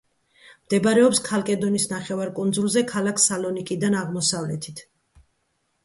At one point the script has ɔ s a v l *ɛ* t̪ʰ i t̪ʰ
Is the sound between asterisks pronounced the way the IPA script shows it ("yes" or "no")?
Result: yes